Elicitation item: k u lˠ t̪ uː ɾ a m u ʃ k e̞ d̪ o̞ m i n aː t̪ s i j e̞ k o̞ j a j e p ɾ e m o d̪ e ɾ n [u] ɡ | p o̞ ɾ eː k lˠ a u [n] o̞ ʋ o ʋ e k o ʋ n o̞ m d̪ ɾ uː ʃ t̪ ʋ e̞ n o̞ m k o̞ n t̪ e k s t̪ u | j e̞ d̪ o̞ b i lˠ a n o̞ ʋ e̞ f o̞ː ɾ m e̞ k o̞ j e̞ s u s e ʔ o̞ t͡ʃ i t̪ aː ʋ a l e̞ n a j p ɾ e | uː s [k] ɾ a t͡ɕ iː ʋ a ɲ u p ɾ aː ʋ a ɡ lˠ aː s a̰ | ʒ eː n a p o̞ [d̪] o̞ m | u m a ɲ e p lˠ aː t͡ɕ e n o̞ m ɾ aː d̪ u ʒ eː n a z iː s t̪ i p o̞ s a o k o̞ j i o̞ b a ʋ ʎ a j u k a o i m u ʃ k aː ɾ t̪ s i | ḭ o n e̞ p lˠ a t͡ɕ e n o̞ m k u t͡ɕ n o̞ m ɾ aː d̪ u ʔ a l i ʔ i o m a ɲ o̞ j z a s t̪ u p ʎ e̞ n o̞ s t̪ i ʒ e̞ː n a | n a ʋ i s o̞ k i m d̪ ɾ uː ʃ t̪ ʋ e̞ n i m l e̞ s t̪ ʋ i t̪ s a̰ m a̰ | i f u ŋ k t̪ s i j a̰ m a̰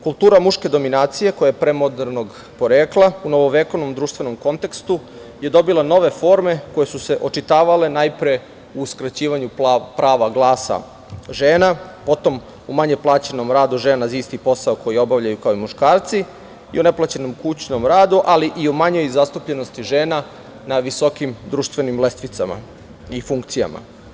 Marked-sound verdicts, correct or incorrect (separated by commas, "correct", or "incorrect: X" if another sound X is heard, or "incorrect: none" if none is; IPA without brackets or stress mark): incorrect: o, correct, correct, incorrect: t̪